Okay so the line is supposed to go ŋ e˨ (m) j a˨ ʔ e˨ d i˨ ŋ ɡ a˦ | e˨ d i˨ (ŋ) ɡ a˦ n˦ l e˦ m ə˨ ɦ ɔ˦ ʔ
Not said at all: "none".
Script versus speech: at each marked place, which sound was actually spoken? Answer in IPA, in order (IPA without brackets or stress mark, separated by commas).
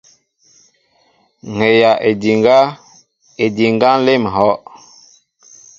none, ŋ